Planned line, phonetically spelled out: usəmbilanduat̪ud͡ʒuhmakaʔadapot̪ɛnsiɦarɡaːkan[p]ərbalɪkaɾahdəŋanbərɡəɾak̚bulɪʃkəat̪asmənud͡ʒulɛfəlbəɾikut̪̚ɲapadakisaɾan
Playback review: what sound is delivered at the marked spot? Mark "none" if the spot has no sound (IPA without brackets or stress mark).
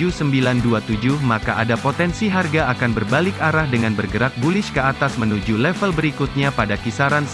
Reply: b